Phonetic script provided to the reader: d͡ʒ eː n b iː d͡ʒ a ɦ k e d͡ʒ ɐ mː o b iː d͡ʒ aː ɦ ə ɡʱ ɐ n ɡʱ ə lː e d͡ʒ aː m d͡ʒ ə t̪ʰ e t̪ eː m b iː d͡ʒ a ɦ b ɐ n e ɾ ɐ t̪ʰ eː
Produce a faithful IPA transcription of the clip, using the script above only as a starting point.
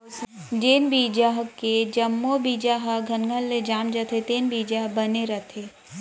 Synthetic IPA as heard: d͡ʒ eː n b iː d͡ʒ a ɦ k e d͡ʒ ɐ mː o b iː d͡ʒ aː ɦ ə ɡʱ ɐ n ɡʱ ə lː e d͡ʒ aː m d͡ʒ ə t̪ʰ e t̪ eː n b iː d͡ʒ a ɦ b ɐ n e ɾ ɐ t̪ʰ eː